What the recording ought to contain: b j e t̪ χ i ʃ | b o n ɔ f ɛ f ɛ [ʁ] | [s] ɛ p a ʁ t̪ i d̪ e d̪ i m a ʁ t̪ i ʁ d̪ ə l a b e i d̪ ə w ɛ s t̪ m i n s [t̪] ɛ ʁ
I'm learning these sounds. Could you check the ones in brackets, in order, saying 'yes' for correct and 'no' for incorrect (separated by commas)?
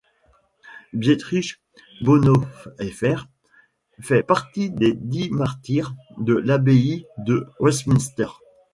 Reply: yes, no, yes